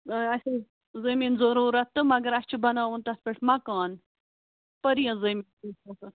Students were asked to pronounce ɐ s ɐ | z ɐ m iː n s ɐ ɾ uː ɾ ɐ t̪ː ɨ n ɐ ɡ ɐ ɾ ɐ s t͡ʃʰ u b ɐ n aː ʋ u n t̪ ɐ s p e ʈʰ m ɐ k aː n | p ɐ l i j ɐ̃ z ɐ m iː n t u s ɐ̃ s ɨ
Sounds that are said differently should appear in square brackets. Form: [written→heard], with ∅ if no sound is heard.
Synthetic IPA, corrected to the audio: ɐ s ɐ | z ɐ m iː n [s→z] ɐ ɾ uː ɾ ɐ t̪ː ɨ [n→m] ɐ ɡ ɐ ɾ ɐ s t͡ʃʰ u b ɐ n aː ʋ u n t̪ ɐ s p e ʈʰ m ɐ k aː n | p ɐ [l→ɾ] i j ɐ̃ z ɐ m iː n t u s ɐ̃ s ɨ